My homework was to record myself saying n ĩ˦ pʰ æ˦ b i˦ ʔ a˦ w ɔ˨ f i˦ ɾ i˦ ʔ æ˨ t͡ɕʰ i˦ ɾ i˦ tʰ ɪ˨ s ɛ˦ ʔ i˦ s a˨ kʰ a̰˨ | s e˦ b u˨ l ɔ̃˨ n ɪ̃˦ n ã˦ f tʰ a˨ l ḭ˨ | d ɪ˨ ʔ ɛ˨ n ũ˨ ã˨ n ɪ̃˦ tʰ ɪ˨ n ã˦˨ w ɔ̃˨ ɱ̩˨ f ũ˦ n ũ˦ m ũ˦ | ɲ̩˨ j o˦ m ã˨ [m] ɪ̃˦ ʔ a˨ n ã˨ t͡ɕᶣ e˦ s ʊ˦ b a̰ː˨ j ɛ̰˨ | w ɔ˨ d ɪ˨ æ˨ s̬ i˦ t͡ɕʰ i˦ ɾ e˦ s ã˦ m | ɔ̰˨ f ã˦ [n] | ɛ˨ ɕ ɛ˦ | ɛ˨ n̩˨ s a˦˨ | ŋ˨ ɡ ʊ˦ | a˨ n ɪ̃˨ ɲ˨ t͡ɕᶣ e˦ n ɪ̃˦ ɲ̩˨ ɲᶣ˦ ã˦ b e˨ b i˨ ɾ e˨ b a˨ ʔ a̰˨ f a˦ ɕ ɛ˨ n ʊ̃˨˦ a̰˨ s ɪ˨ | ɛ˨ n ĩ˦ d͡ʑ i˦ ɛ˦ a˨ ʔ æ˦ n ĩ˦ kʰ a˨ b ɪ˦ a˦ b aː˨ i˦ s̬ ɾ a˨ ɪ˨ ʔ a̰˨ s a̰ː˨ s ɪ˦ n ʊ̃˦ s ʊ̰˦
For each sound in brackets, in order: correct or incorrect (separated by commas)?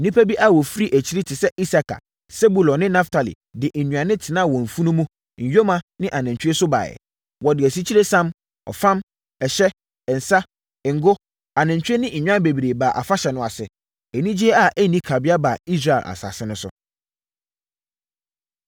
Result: incorrect, incorrect